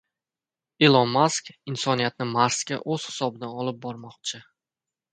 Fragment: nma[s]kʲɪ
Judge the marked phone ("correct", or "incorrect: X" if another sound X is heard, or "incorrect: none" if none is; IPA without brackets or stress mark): correct